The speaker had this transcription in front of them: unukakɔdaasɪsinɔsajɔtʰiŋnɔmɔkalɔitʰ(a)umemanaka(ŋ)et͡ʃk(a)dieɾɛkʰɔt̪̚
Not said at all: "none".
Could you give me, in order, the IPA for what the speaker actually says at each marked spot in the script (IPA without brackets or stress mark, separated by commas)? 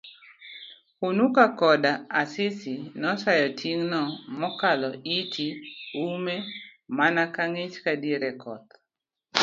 i, ŋ, a